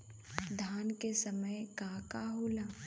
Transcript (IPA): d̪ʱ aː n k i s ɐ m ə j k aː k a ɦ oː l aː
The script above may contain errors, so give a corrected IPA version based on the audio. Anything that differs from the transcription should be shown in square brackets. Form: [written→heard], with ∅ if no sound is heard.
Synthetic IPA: d̪ʱ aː n k [i→e] s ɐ m ə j k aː k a ɦ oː l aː